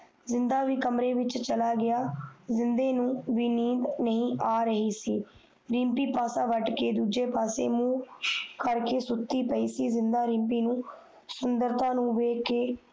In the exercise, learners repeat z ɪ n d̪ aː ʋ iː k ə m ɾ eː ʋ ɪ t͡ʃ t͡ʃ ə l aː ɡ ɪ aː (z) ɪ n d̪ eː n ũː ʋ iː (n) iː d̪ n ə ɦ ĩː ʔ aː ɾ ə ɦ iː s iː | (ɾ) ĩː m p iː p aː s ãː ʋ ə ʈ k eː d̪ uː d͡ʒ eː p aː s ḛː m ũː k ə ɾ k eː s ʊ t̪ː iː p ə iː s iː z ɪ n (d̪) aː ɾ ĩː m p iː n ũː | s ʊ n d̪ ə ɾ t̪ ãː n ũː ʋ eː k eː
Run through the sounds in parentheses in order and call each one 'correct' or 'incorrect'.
correct, correct, correct, correct

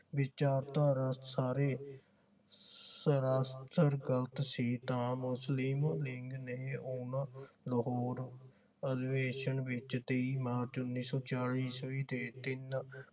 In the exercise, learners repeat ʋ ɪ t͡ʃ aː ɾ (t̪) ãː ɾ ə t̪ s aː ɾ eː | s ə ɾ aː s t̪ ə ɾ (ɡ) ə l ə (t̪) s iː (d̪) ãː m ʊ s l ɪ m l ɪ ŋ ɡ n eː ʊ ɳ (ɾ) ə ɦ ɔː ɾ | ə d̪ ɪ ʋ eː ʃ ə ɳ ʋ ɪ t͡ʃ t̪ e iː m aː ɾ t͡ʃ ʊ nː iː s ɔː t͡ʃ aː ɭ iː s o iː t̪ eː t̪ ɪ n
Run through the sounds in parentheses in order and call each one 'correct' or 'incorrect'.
correct, correct, correct, incorrect: t̪, incorrect: l

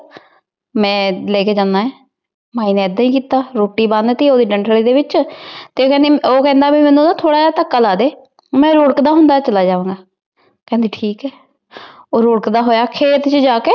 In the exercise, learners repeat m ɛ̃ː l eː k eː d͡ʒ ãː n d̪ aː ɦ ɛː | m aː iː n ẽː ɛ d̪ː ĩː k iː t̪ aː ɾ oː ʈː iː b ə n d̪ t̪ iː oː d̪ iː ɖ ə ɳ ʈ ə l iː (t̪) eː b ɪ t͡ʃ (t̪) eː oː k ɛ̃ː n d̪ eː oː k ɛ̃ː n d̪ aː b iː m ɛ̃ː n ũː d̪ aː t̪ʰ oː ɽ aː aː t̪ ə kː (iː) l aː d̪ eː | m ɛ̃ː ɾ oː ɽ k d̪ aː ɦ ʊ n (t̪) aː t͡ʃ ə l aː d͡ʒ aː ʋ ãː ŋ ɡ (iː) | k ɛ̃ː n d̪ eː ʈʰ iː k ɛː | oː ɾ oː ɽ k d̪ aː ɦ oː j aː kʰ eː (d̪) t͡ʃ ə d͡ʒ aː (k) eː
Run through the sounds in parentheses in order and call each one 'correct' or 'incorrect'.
incorrect: d̪, correct, incorrect: aː, incorrect: d̪, incorrect: aː, incorrect: t̪, correct

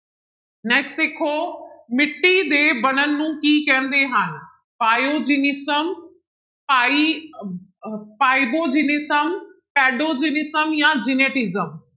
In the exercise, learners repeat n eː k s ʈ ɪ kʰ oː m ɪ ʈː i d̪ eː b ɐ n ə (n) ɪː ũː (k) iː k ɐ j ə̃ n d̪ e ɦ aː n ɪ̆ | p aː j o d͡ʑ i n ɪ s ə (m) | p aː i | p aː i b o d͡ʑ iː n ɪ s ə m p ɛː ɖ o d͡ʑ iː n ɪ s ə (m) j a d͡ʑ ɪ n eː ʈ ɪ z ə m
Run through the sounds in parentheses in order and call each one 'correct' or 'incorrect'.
correct, correct, correct, correct

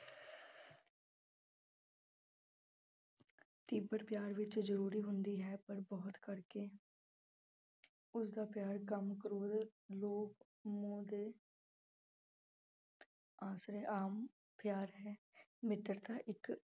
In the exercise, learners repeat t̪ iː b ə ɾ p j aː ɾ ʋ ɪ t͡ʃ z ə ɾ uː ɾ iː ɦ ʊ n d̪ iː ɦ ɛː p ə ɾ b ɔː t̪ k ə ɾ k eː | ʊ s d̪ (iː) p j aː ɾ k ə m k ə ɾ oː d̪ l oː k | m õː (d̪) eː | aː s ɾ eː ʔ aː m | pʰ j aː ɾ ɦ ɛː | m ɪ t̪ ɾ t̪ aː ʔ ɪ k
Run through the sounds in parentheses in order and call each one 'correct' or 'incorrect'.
incorrect: aː, correct

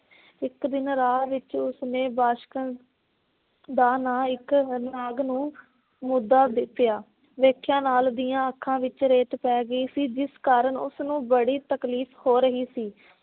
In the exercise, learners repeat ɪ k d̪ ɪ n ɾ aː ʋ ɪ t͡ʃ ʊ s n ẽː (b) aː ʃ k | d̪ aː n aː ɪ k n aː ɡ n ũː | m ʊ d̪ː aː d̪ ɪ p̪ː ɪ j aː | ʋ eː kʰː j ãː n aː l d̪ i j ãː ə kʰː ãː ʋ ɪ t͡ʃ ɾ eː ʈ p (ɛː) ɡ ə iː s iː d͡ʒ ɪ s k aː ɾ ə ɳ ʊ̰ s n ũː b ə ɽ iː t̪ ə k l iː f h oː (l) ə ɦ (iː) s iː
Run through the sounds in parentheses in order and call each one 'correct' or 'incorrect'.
correct, correct, incorrect: ɾ, correct

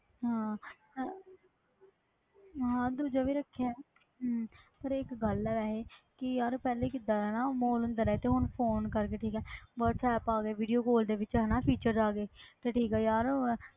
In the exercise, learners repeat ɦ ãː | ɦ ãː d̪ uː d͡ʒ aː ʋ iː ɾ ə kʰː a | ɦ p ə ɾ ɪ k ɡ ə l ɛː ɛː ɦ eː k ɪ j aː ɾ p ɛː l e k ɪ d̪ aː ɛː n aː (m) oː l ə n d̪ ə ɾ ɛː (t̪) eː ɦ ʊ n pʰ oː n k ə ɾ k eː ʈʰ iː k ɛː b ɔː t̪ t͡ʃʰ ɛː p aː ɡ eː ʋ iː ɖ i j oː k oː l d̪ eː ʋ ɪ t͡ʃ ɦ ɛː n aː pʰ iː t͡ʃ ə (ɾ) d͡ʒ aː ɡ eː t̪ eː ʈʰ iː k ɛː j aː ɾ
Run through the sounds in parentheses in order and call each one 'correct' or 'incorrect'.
correct, correct, correct

